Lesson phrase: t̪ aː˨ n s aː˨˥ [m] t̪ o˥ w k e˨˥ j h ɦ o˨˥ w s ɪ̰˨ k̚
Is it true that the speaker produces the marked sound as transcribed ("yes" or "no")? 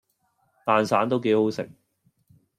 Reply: no